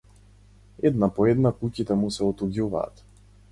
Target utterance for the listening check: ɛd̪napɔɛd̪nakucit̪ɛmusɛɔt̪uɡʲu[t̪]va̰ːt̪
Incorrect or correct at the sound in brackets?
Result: incorrect: none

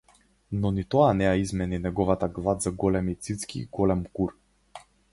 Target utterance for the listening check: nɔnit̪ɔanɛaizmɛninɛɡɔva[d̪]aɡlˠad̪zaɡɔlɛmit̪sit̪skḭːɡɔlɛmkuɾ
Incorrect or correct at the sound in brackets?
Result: incorrect: t̪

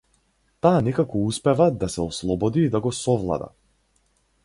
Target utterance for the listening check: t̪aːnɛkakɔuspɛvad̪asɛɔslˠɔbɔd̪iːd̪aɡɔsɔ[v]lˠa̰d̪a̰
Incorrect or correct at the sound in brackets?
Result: correct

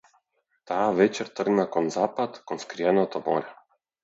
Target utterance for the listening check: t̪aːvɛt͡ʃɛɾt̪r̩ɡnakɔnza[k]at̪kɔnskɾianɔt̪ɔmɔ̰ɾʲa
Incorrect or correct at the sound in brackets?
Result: incorrect: p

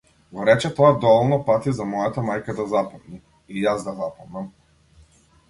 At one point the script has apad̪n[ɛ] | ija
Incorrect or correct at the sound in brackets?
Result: incorrect: i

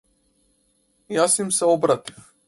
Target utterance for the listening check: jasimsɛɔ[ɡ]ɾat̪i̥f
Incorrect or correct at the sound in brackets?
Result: incorrect: b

